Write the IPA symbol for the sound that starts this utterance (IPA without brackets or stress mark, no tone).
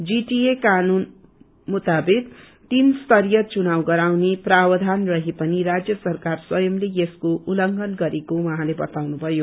d͡z